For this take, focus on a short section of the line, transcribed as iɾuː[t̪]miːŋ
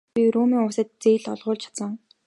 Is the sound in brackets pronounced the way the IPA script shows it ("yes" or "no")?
no